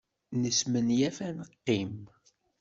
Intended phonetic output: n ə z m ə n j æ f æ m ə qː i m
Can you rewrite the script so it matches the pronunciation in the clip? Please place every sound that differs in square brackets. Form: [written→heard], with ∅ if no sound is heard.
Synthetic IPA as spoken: n ə [z→s] m ə n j æ f æ [m→n] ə qː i m

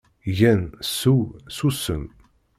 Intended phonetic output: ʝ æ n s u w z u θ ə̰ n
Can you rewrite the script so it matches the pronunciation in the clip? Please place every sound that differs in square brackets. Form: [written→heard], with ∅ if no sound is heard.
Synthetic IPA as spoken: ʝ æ n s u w [z→s] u [θ→s] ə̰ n

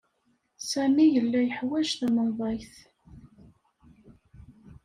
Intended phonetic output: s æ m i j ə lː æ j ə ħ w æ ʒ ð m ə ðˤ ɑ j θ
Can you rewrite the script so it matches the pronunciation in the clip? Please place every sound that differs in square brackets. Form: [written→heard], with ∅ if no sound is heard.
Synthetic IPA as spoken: s æ m i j ə lː æ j ə ħ w æ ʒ [ð→θ] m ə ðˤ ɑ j θ

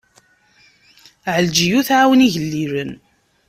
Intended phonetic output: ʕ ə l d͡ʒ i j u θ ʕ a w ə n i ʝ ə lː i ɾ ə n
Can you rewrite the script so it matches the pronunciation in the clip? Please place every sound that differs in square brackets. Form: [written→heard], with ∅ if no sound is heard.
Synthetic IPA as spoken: ʕ ə l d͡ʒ i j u θ ʕ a w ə n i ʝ ə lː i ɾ ə n

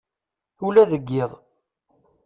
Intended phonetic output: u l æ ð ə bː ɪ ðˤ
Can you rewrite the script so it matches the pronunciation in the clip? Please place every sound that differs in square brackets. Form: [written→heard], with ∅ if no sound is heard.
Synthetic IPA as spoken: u l æ ð ə [bː→ɡː] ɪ ðˤ

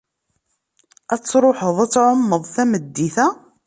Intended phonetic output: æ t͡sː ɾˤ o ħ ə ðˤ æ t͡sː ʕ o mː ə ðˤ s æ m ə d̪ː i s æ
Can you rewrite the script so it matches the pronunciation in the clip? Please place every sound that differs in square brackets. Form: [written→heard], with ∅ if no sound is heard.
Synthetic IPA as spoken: æ t͡sː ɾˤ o ħ ə ðˤ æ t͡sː ʕ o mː ə ðˤ [s→θ] æ m ə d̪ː i [s→θ] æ

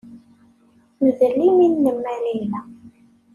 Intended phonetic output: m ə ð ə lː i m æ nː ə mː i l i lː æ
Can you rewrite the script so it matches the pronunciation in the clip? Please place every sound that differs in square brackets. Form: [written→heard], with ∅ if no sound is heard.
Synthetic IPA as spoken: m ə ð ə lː i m [æ→i] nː ə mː [i→æ] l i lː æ

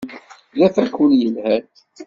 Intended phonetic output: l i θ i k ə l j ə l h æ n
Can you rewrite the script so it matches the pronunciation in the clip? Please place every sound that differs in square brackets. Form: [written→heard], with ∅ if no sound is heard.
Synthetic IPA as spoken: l [i→æ] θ [i→æ] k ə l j ə l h æ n

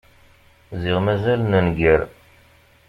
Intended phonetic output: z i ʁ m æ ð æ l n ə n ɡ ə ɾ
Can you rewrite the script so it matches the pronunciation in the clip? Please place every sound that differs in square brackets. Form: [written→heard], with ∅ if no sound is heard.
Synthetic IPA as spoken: z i ʁ m æ [ð→z] æ l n ə n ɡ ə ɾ

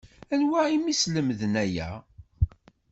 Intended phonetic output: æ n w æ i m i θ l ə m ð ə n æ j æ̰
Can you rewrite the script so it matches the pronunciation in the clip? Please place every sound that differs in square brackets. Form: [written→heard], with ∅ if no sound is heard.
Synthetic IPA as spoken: æ n w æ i m i [θ→s] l ə m ð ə n æ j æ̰

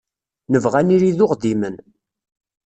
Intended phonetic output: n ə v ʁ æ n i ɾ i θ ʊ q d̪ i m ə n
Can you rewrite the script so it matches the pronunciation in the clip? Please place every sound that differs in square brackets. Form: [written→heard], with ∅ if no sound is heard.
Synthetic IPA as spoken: n ə v ʁ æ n i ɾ i [θ→ð] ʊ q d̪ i m ə n

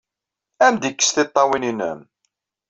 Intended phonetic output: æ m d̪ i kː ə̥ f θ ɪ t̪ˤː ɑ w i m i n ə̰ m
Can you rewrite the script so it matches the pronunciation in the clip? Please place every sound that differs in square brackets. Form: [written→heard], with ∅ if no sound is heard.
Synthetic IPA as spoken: æ m d̪ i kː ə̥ [f→s] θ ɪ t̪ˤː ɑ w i [m→n] i n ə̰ m

